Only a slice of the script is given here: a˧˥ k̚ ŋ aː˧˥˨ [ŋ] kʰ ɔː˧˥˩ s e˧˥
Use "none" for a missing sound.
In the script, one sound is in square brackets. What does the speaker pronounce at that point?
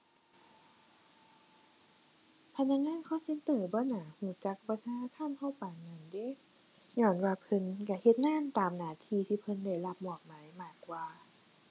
n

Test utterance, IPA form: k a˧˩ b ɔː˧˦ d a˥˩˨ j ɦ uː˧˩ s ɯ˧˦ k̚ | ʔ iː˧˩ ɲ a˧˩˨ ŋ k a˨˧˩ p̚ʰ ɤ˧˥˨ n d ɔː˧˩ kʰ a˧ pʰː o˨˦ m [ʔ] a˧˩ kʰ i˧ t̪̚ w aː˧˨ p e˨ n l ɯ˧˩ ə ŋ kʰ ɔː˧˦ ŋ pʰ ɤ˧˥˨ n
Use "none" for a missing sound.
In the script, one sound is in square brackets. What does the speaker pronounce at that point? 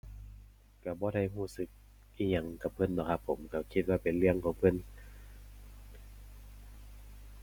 k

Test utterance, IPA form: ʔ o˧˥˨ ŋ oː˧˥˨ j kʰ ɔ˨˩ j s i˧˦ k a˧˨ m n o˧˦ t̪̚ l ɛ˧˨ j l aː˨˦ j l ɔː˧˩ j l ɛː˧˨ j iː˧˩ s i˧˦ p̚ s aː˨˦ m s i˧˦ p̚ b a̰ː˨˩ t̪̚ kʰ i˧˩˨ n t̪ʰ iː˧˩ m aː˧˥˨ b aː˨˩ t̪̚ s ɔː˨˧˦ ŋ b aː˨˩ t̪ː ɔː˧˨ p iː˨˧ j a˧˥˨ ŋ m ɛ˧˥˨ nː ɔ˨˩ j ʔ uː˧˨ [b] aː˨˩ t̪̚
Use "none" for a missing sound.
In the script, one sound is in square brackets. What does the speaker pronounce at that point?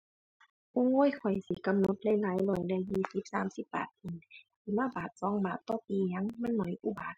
b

